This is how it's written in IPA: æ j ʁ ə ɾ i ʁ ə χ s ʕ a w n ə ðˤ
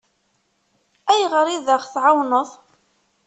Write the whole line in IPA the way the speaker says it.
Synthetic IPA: æ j ʁ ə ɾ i ð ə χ θ ʕ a w n ə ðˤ